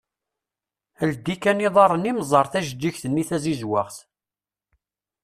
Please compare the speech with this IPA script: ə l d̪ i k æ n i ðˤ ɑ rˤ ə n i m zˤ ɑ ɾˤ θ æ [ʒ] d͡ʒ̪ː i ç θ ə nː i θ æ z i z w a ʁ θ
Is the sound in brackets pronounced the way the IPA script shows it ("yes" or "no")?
yes